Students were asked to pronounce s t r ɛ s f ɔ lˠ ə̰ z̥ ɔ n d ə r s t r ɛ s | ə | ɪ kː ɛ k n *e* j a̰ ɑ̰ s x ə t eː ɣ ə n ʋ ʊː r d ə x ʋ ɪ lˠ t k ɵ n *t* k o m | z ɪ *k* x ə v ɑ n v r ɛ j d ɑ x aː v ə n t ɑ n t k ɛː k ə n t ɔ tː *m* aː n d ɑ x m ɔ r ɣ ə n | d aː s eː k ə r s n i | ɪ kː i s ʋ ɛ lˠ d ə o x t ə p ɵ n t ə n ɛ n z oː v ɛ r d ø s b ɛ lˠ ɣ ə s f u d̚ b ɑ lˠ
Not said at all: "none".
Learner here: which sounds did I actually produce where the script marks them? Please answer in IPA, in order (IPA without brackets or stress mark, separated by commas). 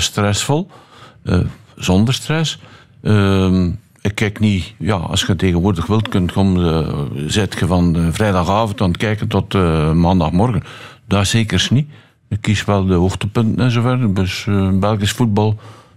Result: i, t, t, m